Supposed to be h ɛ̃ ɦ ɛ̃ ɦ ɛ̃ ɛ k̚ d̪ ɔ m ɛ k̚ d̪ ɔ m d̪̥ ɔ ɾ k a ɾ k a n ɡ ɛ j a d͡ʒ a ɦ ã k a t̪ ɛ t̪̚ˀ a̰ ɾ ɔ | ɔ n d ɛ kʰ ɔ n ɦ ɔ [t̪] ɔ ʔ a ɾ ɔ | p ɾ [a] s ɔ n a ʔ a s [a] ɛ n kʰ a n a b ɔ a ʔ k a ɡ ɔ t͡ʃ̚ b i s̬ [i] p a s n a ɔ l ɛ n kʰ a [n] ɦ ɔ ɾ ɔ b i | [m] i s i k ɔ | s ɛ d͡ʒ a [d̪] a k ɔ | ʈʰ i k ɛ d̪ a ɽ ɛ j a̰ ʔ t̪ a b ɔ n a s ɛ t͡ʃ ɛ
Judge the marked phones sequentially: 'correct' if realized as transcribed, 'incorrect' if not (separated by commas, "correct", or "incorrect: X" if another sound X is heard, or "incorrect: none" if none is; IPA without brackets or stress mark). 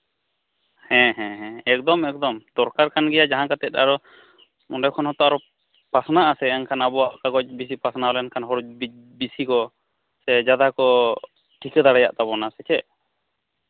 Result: correct, correct, incorrect: ɛ, correct, correct, incorrect: b, correct